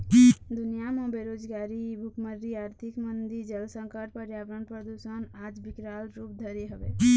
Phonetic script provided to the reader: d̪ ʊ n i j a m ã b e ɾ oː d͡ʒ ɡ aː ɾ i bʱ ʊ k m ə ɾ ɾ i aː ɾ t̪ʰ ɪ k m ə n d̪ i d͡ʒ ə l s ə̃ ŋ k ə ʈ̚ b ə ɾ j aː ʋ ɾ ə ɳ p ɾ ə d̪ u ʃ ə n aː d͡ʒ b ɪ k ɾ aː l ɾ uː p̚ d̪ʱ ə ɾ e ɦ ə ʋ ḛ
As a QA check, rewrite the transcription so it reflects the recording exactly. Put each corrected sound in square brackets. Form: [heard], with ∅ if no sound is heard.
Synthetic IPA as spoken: d̪ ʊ n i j a m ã b e ɾ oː d͡ʒ ɡ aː ɾ i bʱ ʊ k m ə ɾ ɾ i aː ɾ t̪ʰ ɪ k m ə n d̪ i d͡ʒ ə l s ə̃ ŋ k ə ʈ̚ [p] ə ɾ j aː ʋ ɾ ə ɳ p ɾ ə d̪ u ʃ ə n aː d͡ʒ b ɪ k ɾ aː l ɾ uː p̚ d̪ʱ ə ɾ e ɦ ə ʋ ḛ